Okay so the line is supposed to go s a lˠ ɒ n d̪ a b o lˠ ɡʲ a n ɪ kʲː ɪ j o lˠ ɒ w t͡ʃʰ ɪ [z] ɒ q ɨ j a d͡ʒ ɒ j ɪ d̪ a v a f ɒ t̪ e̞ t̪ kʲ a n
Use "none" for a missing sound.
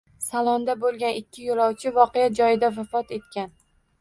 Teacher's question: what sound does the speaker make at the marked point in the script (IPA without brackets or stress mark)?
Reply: v